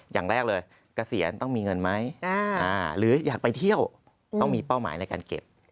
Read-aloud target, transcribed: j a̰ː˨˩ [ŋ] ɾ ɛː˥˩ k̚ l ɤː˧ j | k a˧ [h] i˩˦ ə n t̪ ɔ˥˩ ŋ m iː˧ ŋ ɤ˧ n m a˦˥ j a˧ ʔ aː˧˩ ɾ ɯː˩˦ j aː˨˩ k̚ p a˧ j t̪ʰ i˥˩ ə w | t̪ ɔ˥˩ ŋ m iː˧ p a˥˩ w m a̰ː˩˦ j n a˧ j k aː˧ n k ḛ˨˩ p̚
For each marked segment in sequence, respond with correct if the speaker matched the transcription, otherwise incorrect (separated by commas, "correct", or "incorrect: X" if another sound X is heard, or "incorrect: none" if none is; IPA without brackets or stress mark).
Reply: correct, incorrect: s